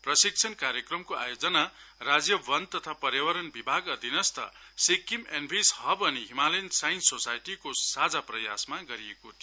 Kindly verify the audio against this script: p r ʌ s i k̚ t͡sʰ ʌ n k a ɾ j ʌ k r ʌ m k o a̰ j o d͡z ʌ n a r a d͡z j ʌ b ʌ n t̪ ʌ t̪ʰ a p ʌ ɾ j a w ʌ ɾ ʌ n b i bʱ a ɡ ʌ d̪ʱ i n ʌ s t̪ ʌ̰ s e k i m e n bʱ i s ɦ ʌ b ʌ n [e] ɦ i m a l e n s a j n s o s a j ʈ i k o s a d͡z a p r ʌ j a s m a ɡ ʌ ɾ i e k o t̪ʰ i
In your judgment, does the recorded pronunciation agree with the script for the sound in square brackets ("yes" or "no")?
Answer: no